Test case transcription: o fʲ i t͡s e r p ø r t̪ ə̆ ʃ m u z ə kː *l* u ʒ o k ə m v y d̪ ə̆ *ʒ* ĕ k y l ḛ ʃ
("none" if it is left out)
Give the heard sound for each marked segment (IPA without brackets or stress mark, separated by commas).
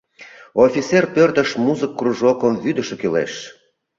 r, ʃ